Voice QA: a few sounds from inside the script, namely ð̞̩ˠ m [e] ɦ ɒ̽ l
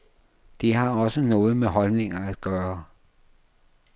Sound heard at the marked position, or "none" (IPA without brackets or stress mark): e